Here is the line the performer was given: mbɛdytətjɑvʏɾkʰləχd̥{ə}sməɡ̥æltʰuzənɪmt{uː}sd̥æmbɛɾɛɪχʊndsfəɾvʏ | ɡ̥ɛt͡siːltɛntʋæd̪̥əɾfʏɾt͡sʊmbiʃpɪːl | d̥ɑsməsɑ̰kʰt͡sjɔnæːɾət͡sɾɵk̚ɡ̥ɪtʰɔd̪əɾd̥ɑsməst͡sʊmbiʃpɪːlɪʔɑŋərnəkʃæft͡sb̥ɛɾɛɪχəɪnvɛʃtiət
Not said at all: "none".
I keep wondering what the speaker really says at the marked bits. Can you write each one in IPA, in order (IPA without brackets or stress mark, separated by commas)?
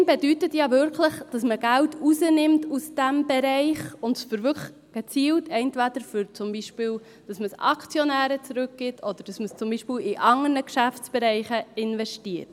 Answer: ɑ, u